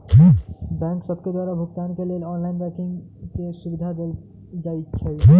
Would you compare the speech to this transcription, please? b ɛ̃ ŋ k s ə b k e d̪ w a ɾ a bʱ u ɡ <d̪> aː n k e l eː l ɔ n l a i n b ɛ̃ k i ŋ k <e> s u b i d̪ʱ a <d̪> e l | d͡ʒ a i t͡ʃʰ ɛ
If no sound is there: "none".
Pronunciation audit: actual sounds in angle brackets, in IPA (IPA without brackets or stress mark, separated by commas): t̪, e, d̪